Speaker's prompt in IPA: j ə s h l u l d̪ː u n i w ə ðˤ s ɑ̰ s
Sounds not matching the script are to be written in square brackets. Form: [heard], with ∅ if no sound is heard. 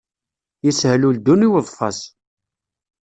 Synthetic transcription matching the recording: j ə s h l u l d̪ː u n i w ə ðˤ [f] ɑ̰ s